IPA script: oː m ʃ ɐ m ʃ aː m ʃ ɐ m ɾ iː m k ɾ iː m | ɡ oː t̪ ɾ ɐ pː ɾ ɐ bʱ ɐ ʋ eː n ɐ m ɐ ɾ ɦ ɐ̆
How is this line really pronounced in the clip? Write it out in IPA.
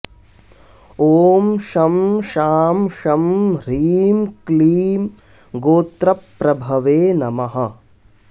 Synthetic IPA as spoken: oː m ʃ ɐ m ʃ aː m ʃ ɐ m ɾ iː m k l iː m | ɡ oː t̪ ɾ ɐ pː ɾ ɐ bʱ ɐ ʋ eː n ɐ m ɐ ɦ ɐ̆